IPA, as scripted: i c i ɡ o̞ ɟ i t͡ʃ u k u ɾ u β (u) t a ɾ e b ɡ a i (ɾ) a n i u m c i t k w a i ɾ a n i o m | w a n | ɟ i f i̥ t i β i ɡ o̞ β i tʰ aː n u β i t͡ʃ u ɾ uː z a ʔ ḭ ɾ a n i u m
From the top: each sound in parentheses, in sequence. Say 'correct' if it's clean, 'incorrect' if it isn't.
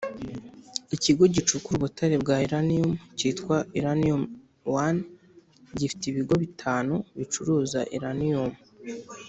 correct, correct

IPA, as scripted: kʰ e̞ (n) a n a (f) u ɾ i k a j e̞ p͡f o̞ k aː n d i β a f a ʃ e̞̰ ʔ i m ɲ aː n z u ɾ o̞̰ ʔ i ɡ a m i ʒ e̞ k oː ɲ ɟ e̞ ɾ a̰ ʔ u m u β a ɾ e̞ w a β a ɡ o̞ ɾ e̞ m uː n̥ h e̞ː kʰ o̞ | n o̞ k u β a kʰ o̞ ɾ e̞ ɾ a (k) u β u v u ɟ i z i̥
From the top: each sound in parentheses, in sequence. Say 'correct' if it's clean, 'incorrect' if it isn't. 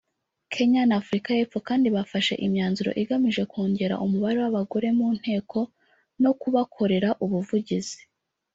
incorrect: ɲ, correct, incorrect: ʔ

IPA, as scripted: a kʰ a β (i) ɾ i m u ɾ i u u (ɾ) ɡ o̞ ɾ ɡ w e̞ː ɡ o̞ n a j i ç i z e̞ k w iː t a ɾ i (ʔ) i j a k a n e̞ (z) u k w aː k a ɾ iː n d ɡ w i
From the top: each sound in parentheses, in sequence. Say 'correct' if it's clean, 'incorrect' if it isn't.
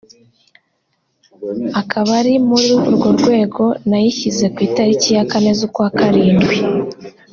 incorrect: a, correct, incorrect: c, correct

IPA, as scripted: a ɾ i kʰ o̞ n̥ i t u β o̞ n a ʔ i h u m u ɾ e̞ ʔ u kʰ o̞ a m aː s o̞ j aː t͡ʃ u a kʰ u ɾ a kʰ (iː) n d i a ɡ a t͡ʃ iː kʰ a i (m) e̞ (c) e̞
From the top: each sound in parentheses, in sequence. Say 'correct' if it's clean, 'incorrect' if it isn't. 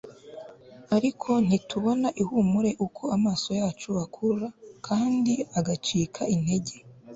incorrect: aː, incorrect: n, incorrect: ɟ

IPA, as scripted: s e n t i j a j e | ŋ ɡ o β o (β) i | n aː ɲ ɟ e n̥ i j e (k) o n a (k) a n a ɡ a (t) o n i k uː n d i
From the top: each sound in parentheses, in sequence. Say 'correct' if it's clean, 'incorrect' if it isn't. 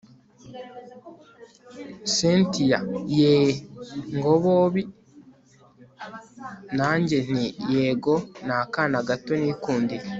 correct, incorrect: ɡ, correct, correct

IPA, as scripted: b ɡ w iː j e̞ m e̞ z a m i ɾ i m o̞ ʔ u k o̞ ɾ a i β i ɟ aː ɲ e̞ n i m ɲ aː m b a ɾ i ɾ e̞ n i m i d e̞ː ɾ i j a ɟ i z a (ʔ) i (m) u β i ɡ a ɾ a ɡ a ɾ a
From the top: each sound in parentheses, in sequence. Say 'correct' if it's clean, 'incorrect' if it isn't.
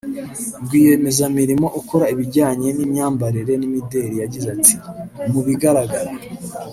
incorrect: t, correct

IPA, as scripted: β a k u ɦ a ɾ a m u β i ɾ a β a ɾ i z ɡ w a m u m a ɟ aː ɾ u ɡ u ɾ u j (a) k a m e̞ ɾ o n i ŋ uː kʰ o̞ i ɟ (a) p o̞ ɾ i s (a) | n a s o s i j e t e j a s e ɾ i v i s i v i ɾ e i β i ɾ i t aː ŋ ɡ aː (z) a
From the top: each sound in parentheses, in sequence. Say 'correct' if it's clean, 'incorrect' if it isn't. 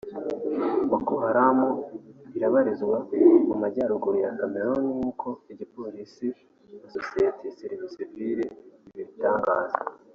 correct, incorrect: i, incorrect: i, correct

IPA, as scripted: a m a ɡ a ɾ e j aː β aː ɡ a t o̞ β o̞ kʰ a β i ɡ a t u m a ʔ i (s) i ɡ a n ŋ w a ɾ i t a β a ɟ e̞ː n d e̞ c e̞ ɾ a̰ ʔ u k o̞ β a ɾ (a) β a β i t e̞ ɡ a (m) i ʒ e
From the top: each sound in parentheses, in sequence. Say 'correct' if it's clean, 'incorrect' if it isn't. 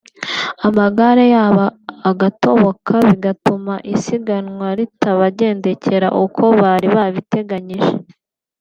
correct, incorrect: i, incorrect: ɲ

